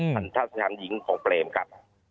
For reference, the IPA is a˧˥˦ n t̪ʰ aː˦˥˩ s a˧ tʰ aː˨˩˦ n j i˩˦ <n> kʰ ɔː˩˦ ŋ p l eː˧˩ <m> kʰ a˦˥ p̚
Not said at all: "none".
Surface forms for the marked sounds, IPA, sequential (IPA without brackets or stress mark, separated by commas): ŋ, m